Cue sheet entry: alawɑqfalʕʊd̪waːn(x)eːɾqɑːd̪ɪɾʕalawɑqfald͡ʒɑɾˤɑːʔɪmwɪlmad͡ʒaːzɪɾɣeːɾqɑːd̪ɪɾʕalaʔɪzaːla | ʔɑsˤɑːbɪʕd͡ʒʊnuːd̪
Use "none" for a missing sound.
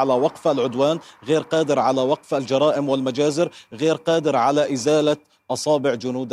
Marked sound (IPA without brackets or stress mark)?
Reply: ɣ